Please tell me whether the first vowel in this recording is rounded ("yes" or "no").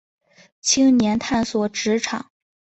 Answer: no